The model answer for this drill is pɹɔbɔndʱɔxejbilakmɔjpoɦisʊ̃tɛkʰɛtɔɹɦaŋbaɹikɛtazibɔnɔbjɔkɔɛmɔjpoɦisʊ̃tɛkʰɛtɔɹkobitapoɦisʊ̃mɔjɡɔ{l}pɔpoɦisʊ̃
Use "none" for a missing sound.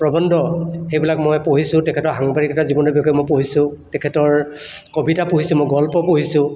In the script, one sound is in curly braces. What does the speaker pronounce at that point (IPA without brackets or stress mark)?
l